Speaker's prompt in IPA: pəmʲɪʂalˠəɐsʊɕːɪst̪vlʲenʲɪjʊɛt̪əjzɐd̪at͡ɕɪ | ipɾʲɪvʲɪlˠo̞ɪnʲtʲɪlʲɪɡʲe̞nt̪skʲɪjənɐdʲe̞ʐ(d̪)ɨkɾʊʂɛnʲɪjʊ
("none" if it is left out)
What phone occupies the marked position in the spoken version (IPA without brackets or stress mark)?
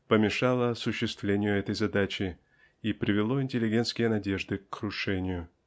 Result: d̪